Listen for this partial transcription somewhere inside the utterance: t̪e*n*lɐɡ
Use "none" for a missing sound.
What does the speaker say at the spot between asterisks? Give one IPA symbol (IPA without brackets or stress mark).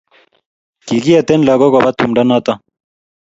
n